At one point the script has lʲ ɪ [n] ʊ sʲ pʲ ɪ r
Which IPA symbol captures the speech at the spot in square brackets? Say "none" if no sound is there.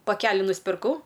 n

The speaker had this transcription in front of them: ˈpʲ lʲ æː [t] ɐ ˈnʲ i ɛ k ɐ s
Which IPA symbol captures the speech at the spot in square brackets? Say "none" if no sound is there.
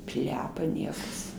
p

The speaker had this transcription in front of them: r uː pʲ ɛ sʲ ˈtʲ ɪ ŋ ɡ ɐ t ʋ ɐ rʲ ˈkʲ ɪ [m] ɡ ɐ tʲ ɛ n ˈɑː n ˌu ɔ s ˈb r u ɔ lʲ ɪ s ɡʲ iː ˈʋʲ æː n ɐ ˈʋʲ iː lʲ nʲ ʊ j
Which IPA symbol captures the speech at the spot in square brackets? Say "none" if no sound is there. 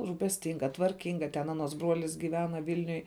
ŋ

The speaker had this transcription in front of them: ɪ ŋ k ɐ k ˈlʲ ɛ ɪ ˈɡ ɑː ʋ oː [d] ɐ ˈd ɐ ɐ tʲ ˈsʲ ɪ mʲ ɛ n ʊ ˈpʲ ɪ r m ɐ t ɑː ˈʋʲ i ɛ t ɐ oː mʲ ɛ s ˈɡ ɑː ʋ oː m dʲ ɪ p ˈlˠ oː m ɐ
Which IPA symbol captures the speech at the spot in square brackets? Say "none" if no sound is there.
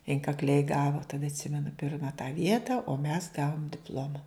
t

